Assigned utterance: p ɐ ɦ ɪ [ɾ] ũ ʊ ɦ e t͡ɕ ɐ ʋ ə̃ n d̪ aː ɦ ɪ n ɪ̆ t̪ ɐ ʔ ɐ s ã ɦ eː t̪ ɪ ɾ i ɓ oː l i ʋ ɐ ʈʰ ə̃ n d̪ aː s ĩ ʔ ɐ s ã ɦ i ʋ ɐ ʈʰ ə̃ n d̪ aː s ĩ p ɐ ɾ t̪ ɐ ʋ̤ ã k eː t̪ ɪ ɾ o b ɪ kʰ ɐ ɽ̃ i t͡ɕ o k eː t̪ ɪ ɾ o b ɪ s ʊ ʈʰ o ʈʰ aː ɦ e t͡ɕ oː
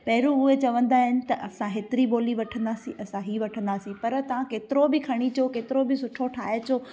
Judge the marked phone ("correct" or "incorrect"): correct